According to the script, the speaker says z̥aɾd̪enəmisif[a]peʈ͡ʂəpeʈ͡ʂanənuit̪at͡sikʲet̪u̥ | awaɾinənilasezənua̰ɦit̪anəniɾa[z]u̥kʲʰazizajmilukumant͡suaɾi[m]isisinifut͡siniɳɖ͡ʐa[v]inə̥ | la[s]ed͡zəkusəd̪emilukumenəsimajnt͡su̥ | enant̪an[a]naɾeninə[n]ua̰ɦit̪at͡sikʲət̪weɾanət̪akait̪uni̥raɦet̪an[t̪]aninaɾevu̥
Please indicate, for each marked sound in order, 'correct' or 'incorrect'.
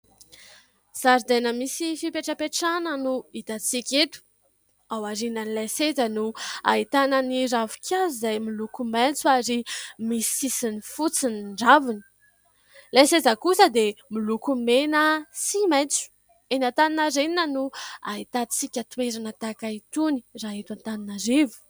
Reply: incorrect: i, incorrect: v, correct, correct, correct, incorrect: i, correct, correct

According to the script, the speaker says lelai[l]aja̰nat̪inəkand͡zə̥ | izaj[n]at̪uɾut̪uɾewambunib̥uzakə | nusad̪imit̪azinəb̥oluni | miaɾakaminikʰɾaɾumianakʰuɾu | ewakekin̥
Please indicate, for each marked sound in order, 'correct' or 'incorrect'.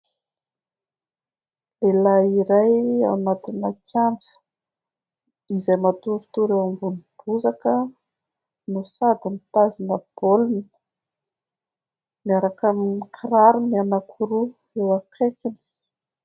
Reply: incorrect: ɾ, incorrect: m

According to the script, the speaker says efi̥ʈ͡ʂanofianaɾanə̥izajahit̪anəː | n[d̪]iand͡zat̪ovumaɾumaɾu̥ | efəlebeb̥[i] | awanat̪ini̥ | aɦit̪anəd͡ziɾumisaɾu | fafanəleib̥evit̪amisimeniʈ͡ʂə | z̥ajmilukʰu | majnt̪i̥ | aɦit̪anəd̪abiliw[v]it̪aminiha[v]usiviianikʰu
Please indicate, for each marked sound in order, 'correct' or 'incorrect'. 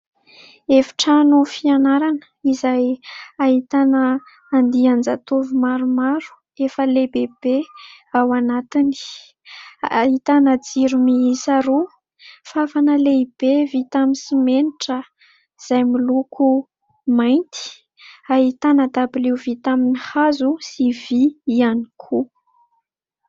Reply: correct, incorrect: e, correct, incorrect: z

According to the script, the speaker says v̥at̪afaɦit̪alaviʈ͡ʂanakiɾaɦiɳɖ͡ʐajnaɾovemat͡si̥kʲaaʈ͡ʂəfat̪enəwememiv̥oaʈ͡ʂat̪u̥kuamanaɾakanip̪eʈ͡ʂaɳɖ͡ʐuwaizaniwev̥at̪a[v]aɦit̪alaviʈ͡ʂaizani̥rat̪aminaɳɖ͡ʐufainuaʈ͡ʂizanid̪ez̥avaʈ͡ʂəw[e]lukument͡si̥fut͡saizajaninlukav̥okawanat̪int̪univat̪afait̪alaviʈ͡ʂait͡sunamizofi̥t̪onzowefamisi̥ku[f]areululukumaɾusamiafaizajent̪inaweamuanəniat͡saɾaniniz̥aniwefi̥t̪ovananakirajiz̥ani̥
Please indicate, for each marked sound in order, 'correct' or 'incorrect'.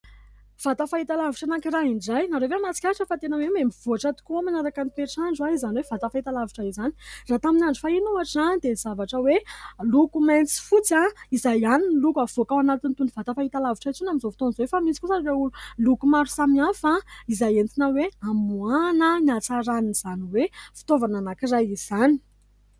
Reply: incorrect: f, correct, incorrect: s

